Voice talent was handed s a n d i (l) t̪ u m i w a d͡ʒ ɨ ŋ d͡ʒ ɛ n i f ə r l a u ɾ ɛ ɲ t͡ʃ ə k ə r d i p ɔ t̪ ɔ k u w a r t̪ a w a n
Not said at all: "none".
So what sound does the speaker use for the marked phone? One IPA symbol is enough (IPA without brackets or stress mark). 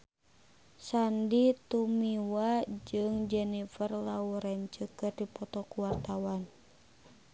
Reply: none